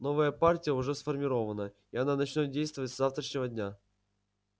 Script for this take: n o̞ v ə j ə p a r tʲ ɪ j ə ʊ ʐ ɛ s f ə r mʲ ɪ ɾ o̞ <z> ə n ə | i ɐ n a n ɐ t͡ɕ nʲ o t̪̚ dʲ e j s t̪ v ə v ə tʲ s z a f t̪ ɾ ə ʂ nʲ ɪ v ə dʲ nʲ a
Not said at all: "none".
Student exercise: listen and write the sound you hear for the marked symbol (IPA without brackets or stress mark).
v